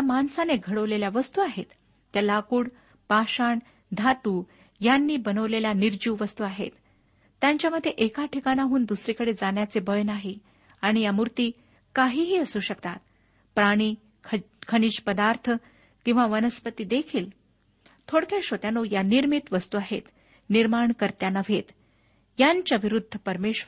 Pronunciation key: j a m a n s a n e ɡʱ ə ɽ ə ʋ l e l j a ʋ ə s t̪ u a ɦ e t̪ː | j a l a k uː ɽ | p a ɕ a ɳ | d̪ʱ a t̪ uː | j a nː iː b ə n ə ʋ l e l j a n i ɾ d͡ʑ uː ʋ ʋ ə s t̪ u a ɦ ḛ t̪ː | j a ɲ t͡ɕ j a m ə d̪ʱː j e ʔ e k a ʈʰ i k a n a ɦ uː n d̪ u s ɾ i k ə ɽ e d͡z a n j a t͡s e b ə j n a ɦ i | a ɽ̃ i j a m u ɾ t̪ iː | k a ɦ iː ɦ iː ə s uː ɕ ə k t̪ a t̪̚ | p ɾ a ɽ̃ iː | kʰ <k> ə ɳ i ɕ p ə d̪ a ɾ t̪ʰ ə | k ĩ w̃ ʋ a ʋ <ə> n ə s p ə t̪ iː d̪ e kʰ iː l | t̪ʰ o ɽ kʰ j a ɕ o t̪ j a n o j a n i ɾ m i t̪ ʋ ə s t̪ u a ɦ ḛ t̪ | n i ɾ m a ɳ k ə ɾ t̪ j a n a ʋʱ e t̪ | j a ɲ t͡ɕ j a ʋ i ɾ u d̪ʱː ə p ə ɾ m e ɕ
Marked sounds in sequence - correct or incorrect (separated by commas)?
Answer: incorrect, correct